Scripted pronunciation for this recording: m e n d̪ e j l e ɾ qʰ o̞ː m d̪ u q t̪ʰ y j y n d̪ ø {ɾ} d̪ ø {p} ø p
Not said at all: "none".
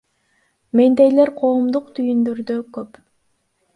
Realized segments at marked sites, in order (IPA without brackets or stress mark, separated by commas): ɾ, k